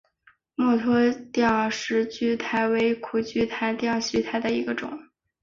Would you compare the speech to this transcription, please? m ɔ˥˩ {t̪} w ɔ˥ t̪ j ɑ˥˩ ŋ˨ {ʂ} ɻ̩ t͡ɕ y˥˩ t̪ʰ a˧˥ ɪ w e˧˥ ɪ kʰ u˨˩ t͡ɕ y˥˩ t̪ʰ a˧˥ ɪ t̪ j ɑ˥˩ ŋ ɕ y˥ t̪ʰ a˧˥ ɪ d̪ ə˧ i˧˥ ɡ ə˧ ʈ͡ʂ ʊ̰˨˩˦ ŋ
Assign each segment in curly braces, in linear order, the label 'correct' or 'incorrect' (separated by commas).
incorrect, correct